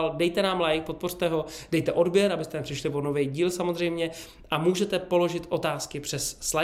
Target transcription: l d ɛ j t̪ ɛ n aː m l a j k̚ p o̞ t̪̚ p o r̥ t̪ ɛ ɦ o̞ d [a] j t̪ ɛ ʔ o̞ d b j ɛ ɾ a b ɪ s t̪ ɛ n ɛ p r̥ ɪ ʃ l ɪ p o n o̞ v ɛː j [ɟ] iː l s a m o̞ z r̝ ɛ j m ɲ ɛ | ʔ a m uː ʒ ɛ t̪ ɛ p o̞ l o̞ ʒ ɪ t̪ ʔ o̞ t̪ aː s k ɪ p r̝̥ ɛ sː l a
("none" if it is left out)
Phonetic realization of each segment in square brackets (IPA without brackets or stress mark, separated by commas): ɛ, ɟ